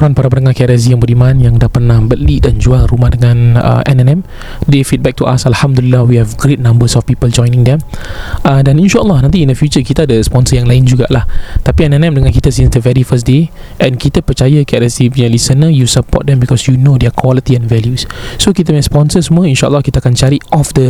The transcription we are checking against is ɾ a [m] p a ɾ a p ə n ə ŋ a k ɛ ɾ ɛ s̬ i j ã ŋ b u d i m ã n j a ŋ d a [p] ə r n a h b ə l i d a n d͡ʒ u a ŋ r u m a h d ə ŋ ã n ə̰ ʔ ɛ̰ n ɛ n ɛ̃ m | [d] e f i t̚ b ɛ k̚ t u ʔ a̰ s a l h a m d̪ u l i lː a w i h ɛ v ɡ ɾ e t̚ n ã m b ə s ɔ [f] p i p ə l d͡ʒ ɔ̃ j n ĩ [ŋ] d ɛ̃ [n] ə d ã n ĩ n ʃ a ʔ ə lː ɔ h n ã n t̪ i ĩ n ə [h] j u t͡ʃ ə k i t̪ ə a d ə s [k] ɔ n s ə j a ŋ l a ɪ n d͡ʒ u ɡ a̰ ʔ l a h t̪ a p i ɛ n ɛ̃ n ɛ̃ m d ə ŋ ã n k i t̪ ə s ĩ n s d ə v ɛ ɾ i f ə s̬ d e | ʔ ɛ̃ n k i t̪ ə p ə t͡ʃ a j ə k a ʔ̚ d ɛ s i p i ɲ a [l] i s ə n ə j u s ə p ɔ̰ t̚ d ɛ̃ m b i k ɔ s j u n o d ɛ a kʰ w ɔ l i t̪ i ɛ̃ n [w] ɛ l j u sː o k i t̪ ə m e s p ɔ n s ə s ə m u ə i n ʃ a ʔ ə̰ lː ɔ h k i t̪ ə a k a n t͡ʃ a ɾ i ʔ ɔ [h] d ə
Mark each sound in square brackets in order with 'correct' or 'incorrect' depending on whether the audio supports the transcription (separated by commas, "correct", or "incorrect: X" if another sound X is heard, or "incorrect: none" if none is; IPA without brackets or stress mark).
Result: incorrect: n, correct, correct, correct, correct, incorrect: m, incorrect: f, incorrect: p, correct, incorrect: v, incorrect: f